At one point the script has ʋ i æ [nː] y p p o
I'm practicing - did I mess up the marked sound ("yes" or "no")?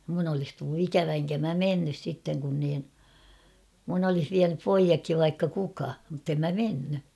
yes